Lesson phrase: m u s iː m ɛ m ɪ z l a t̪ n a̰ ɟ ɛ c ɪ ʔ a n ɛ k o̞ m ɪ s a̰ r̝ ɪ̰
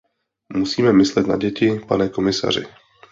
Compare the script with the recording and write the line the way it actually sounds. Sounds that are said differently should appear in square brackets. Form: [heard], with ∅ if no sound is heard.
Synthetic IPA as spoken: m u s iː m ɛ m ɪ [s] l [ɛ] t̪ n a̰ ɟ ɛ c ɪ [p] a n ɛ k o̞ m ɪ s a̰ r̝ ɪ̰